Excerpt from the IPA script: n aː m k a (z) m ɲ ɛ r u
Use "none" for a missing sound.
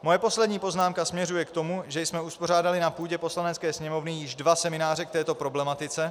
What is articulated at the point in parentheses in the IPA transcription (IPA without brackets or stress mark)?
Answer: s